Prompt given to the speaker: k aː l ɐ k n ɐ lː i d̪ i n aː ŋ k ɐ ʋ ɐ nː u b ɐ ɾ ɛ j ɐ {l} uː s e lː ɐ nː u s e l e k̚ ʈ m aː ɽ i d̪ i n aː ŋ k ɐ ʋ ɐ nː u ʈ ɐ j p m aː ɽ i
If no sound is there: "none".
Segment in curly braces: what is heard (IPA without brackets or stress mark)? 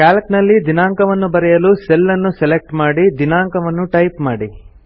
l